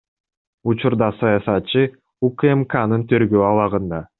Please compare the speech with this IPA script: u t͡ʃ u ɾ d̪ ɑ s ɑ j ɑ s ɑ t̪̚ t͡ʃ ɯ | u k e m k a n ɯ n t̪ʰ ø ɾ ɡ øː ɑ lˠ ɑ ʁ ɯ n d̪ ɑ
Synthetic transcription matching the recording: u t͡ʃ u ɾ d̪ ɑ s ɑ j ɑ s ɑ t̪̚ t͡ʃ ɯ | u k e m k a n ɯ n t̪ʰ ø ɾ ɡ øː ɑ lˠ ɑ ʁ ɯ n d̪ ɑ